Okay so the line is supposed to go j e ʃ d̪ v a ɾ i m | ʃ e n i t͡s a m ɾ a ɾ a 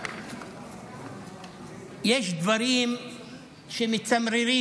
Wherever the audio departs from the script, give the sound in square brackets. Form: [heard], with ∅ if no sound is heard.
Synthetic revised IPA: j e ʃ d̪ v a ɾ i m | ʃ e [m] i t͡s a m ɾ [i] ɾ [i]